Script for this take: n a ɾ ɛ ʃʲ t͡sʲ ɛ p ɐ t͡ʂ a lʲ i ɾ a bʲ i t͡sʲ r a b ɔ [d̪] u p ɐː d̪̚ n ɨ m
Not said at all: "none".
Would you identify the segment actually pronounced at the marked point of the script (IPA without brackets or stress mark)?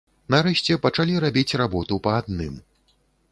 t̪